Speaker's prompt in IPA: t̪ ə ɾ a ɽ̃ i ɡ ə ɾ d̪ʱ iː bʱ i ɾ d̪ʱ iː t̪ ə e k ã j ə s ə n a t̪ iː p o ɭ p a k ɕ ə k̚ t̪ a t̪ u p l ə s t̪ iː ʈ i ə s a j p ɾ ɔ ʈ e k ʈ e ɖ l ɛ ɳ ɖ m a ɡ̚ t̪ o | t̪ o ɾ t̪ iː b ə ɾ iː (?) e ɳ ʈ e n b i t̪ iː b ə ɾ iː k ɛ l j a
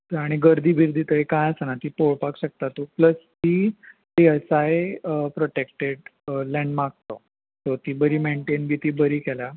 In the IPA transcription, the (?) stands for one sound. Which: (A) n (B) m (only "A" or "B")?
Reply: B